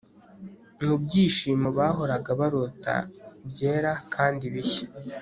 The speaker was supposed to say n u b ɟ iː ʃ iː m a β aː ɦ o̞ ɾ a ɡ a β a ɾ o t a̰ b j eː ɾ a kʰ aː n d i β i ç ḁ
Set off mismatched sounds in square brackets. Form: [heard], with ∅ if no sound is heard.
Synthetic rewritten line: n u b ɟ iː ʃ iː m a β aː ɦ o̞ ɾ a ɡ a β a ɾ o t a̰ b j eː ɾ a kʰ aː n d i β i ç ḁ